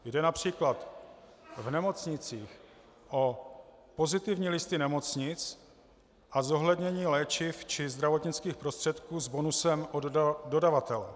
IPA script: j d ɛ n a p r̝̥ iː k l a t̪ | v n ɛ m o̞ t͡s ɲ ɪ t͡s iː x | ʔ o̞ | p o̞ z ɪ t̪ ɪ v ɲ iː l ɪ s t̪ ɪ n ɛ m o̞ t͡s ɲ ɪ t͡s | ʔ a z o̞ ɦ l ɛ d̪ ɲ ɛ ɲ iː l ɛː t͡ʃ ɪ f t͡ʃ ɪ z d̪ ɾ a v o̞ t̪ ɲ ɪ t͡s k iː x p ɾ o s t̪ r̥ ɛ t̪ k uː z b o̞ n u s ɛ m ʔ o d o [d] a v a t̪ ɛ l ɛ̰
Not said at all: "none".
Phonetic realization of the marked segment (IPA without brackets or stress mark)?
d